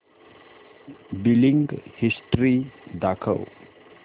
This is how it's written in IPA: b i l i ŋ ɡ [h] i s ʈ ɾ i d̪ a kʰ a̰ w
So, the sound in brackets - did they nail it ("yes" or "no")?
yes